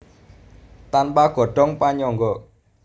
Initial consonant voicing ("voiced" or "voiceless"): voiceless